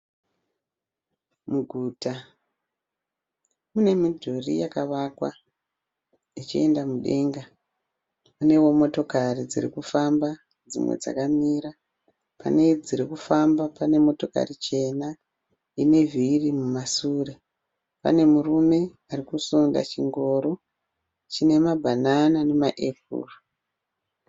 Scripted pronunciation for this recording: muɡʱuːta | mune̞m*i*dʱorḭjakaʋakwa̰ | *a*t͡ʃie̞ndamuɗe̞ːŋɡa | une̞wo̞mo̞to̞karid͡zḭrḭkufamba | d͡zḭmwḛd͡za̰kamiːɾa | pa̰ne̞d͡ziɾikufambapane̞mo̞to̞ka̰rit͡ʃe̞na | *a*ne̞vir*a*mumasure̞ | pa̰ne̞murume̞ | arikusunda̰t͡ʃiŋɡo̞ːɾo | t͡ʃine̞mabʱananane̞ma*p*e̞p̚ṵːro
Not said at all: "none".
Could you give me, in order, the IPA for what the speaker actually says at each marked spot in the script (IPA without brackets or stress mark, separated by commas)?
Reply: i, i, i, i, ʔ